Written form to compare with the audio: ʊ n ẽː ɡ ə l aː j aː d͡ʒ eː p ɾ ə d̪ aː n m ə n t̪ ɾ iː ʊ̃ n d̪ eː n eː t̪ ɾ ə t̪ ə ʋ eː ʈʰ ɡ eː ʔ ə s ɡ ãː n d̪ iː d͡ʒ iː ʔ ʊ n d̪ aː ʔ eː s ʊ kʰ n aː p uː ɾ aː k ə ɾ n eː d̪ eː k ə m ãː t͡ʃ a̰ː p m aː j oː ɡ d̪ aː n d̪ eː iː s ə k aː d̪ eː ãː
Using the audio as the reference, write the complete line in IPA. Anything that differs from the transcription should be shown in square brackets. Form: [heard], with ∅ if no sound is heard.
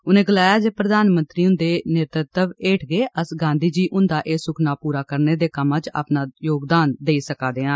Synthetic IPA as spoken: ʊ n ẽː ɡ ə l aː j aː d͡ʒ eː p ɾ ə d̪ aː n m ə n t̪ ɾ iː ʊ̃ n d̪ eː n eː t̪ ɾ ə t̪ ə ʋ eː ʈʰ ɡ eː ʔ ə s ɡ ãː n d̪ iː d͡ʒ iː ʔ ʊ n d̪ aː ʔ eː s ʊ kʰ n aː p uː ɾ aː k ə ɾ n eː d̪ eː k ə m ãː t͡ʃ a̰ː p [n] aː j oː ɡ d̪ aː n d̪ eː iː s ə k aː d̪ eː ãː